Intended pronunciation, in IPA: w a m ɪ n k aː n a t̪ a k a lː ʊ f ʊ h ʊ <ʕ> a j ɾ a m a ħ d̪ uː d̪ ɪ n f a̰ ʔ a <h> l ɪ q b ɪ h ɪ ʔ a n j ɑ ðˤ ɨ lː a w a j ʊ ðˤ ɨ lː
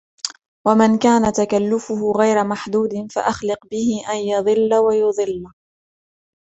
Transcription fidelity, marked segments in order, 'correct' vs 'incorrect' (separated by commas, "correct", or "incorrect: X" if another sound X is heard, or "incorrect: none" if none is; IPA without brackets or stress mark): incorrect: ɣ, incorrect: x